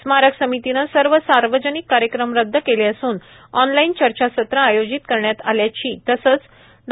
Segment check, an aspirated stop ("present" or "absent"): absent